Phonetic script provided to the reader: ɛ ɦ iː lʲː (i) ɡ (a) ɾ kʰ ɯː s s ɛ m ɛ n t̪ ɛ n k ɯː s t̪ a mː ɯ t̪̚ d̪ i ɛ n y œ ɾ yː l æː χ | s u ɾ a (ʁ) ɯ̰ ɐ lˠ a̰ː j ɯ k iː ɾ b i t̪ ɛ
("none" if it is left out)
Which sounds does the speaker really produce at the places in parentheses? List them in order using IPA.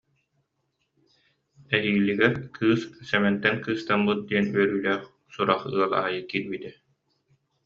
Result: i, ɛ, χ

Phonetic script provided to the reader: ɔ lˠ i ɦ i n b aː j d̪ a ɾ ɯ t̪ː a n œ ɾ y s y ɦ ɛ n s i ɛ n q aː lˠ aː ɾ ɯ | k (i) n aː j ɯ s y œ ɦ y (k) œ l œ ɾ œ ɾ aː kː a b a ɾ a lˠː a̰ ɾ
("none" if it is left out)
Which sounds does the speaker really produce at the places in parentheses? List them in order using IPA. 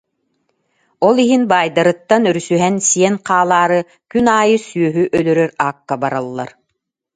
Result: y, ʔ

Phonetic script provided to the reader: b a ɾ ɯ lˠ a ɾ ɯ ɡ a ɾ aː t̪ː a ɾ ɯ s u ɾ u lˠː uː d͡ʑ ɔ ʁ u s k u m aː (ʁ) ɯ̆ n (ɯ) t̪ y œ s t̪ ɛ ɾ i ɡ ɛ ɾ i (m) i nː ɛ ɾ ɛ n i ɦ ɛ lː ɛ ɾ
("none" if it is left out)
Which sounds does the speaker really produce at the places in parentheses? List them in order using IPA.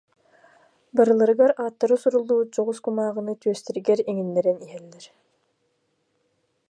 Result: ʁ, ɯ, ŋ

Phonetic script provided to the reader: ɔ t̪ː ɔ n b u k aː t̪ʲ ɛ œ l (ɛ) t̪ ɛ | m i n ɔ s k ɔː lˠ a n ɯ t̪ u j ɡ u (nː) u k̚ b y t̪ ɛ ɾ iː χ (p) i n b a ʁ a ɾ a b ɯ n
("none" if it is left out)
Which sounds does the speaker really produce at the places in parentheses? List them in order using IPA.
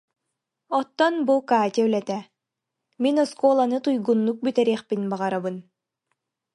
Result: ɛ, nː, p

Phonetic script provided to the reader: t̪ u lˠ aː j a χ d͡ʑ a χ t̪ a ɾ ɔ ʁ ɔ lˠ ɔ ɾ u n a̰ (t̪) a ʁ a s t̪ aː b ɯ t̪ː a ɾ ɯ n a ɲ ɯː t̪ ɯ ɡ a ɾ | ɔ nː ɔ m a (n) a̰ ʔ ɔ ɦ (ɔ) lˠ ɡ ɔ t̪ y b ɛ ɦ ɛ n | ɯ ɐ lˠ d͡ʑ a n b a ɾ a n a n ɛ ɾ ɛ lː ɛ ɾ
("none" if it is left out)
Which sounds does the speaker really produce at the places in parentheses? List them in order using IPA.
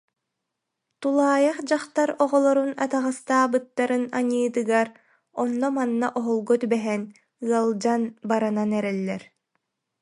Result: t̪, nː, ɔ

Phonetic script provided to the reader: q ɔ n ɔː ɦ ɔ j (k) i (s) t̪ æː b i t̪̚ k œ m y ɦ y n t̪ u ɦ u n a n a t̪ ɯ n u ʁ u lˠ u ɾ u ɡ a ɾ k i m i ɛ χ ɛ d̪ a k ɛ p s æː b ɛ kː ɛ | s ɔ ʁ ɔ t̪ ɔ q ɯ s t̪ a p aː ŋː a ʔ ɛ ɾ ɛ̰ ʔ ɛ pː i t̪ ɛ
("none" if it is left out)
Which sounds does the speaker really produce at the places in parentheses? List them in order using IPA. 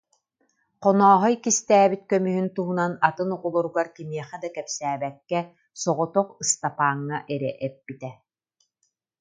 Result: k, s

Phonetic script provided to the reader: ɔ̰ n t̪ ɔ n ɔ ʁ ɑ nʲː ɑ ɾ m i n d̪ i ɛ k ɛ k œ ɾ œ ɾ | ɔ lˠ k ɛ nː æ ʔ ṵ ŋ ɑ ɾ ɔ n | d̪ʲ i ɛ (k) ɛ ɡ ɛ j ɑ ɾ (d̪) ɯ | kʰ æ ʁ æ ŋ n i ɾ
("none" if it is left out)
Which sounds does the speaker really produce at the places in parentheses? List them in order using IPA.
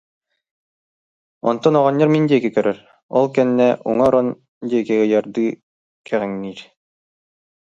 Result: k, d̪

